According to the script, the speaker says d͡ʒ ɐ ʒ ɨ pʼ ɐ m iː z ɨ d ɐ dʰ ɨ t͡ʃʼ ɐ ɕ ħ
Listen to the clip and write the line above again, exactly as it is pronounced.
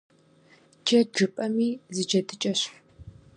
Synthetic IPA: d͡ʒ ɐ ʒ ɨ pʼ ɐ m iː z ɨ d͡ʒ ɐ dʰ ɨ t͡ʃʼ ɐ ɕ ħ

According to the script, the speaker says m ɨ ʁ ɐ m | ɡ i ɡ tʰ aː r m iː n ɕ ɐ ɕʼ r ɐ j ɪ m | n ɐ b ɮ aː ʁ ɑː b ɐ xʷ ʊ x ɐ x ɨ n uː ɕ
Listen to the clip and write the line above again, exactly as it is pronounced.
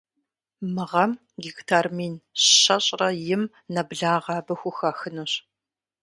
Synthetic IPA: m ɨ ʁ ɐ m | ɡ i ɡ tʰ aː r m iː n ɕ ɐ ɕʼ r ɐ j ɪ m | n ɐ b ɮ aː ʁ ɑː b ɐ xʷ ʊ x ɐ x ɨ n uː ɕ

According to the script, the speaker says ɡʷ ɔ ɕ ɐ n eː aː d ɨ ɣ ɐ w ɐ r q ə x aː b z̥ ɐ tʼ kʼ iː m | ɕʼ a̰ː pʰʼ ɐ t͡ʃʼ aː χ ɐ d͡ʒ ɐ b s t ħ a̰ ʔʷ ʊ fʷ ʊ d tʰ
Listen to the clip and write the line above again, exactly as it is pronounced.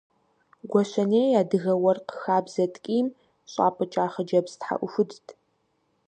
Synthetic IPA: ɡʷ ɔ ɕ ɐ n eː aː d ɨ ɣ ɐ w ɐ r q ə x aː b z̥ ɐ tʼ kʼ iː m | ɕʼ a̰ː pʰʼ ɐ t͡ʃʼ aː χ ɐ d͡ʒ ɐ b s t ħ a̰ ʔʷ ʊ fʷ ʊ d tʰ

